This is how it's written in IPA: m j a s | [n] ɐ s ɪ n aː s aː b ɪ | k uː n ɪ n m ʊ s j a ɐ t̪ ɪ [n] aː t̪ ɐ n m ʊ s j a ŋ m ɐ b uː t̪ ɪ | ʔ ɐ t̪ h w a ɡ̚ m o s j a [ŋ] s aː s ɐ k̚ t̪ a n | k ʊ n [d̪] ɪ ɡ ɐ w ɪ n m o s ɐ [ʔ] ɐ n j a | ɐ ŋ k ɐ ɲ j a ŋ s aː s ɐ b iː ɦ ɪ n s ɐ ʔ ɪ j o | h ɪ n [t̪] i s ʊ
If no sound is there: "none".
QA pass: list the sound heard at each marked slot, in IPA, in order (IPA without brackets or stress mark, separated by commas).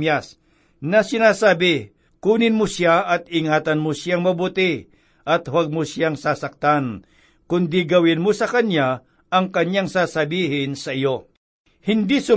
n, ŋ, ŋ, d̪, k, d̪